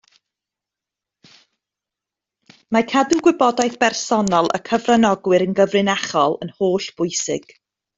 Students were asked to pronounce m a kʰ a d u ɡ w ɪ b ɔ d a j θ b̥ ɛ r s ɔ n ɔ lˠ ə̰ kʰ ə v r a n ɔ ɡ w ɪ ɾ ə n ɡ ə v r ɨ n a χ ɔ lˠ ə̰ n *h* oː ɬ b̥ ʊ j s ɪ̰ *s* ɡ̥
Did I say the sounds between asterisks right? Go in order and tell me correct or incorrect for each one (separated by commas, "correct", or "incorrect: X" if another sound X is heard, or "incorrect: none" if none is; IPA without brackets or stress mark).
correct, incorrect: none